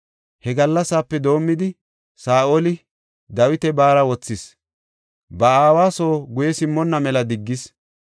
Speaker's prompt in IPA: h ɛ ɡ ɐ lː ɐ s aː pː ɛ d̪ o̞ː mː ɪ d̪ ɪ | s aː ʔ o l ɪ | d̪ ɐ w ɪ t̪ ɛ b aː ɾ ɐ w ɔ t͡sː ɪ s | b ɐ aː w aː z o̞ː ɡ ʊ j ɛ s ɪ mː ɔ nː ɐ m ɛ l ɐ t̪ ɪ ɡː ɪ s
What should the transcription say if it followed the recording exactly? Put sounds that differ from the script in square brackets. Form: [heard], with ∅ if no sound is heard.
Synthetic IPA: h ɛ ɡ ɐ lː ɐ s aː pː ɛ d̪ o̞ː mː ɪ d̪ ɪ | s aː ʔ o l ɪ | d̪ ɐ w ɪ t̪ ɛ b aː ɾ ɐ w ɔ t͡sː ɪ s | b ɐ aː w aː [s] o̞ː ɡ ʊ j ɛ s ɪ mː ɔ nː ɐ m ɛ l ɐ [d̪] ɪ ɡː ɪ s

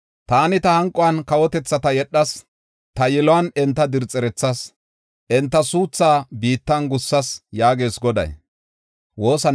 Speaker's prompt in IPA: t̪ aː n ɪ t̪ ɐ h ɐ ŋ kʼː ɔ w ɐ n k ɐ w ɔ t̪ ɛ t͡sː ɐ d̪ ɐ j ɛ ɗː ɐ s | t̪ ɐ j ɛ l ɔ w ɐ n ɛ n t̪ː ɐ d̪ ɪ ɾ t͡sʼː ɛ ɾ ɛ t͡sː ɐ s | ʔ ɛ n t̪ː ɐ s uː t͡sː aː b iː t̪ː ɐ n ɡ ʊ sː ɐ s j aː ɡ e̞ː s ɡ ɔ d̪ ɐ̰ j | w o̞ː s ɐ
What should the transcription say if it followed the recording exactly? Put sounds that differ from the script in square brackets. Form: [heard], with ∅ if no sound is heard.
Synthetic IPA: t̪ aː n ɪ t̪ ɐ h ɐ ŋ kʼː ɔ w ɐ n k ɐ w ɔ t̪ ɛ t͡sː ɐ [t̪] ɐ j ɛ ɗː ɐ s | t̪ ɐ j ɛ l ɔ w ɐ n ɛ n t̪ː ɐ d̪ ɪ ɾ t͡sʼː ɛ ɾ ɛ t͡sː ɐ s | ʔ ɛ n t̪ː ɐ s uː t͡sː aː b iː t̪ː ɐ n ɡ ʊ sː ɐ s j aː ɡ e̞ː s ɡ ɔ d̪ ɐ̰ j | w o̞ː s ɐ

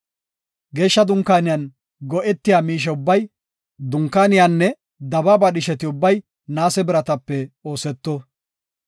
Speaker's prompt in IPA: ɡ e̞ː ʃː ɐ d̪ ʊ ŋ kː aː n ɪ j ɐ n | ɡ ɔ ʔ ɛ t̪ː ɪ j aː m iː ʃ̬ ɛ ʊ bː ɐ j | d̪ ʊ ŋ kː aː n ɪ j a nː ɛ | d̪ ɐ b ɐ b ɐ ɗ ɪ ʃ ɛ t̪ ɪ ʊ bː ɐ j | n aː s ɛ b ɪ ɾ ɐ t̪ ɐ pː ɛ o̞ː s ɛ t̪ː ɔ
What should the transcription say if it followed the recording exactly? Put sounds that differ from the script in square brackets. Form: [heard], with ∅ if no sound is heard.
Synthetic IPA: ɡ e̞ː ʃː ɐ d̪ ʊ ŋ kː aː n ɪ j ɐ n | ɡ ɔ ʔ ɛ t̪ː ɪ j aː m iː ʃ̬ ɛ ʊ bː ɐ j | d̪ ʊ ŋ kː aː n ɪ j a nː ɛ | d̪ ɐ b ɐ b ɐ ɗ ɪ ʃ ɛ t̪ ɪ ʊ bː ɐ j | n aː s ɛ b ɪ ɾ ɐ t̪ ɐ pː ɛ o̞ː s ɛ t̪ː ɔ

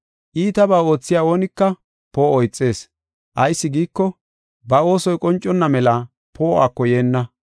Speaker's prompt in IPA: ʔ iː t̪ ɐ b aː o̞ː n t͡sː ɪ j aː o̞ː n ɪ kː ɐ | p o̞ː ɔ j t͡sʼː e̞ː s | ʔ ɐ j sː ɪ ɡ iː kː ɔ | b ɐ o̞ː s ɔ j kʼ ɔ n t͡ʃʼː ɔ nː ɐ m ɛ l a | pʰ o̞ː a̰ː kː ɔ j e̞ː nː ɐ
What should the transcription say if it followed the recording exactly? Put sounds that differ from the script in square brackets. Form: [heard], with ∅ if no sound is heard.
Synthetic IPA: ʔ iː t̪ ɐ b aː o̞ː [∅] t͡sː ɪ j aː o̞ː n ɪ kː ɐ | p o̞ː ɔ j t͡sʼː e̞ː s | ʔ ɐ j sː ɪ ɡ iː kː ɔ | b ɐ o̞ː s ɔ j kʼ ɔ n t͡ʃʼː ɔ nː ɐ m ɛ l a | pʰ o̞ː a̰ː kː ɔ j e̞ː nː ɐ

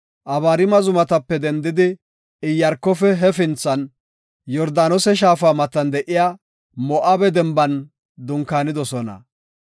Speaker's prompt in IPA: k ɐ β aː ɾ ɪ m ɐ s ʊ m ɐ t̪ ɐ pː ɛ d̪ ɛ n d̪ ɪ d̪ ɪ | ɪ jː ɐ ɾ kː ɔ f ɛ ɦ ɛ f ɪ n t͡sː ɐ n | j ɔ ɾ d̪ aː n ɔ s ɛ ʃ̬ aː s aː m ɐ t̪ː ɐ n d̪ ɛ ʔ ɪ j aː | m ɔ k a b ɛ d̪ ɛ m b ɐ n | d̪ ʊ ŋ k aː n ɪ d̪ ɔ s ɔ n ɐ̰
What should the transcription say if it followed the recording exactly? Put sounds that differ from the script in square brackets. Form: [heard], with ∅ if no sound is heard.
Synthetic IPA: [ʔ] ɐ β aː ɾ ɪ m ɐ [z] ʊ m ɐ t̪ ɐ pː ɛ d̪ ɛ n d̪ ɪ d̪ ɪ | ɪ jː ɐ ɾ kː ɔ f ɛ ɦ ɛ f ɪ n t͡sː ɐ n | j ɔ ɾ d̪ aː n ɔ s ɛ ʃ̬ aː [f] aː m ɐ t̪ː ɐ n d̪ ɛ ʔ ɪ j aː | m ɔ [ʔ] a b ɛ d̪ ɛ m b ɐ n | d̪ ʊ ŋ k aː n ɪ d̪ ɔ s ɔ n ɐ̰

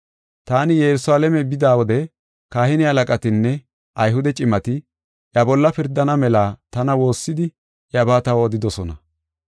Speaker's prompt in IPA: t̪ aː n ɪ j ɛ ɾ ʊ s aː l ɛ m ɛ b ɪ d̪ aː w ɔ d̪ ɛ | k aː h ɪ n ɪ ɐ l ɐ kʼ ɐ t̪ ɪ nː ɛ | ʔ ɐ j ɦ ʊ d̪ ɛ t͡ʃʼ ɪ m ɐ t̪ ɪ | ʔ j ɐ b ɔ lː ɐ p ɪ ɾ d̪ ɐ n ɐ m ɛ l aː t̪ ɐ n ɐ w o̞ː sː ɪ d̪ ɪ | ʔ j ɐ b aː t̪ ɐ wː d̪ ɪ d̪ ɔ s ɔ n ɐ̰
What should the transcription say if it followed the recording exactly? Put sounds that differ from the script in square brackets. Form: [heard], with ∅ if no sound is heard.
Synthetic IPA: t̪ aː n ɪ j ɛ ɾ ʊ s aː l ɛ m ɛ b ɪ d̪ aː w ɔ d̪ ɛ | k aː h ɪ n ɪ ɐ l ɐ kʼ ɐ t̪ ɪ nː ɛ | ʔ ɐ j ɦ ʊ d̪ ɛ t͡ʃʼ ɪ m ɐ t̪ ɪ | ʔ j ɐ b ɔ lː ɐ p ɪ ɾ d̪ ɐ n ɐ m ɛ l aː t̪ ɐ n ɐ w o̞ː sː ɪ d̪ ɪ | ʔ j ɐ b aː t̪ ɐ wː d̪ ɪ d̪ ɔ s ɔ n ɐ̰

